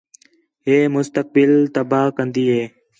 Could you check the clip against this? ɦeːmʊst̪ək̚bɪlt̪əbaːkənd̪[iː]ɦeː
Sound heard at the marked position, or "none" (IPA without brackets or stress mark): iː